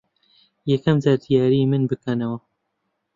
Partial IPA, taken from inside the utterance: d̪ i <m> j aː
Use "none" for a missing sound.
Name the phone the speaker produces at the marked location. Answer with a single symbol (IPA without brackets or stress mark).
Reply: none